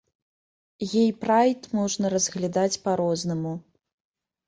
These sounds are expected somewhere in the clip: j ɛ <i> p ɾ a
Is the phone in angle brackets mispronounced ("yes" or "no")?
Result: yes